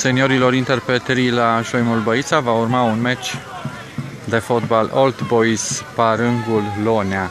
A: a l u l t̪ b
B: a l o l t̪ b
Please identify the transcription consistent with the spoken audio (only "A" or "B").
B